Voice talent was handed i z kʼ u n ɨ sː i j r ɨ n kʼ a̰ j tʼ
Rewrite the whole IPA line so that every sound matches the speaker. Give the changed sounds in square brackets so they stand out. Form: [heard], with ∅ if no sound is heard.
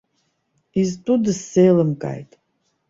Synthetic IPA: i z [tʼ] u [d] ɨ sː [e] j [l] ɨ [m] kʼ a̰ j tʼ